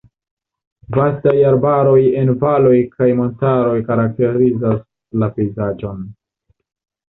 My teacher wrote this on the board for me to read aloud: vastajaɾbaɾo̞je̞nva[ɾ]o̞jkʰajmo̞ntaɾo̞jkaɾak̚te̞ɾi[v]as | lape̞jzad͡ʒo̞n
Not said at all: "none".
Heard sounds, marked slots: l, z

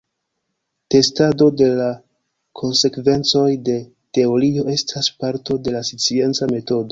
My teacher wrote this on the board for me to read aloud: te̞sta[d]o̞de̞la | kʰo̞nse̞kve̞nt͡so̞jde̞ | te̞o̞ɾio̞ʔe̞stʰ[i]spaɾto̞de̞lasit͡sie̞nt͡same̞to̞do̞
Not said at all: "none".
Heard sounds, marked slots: d, a

